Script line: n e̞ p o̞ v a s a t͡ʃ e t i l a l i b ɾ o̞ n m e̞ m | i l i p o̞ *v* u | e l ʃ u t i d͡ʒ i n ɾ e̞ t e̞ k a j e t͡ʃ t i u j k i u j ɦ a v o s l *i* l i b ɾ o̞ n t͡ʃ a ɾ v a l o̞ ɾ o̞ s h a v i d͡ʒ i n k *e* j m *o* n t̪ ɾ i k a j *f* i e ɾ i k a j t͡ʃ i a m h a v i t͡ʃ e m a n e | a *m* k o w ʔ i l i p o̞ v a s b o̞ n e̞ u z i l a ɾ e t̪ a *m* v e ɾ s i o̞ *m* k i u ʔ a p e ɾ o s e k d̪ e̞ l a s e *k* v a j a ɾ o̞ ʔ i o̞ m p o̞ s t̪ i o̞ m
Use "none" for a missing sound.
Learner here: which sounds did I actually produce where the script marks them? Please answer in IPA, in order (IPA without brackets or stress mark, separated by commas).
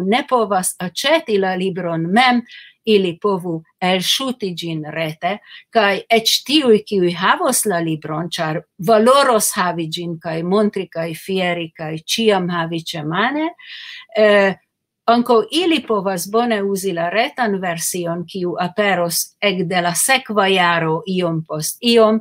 v, a, a, o, f, ŋ, n, n, k